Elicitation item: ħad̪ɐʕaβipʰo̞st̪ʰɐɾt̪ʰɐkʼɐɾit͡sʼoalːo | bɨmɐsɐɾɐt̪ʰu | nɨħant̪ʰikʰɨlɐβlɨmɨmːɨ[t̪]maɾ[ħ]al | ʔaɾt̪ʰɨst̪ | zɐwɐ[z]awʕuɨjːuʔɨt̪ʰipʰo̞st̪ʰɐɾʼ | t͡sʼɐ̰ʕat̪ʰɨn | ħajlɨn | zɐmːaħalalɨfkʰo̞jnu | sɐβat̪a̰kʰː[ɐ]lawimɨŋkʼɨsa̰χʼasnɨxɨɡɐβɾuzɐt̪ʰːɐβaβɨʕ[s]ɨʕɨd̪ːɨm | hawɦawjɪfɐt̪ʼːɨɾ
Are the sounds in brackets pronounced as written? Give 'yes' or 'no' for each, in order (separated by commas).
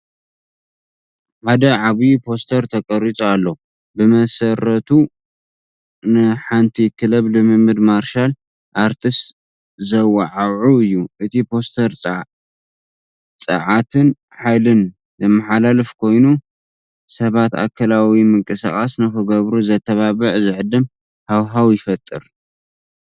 no, no, no, yes, no